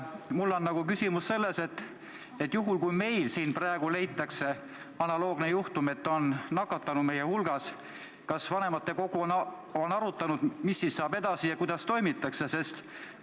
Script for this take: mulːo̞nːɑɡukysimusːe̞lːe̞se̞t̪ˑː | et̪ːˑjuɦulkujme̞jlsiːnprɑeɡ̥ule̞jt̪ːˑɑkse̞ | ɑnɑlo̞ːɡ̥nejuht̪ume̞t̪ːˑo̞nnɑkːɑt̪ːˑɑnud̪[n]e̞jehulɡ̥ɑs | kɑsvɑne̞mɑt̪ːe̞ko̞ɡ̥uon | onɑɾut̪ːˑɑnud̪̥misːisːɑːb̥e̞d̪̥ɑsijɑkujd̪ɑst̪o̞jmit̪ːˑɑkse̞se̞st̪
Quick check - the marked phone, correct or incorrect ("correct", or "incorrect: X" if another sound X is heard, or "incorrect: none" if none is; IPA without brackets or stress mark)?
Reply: incorrect: m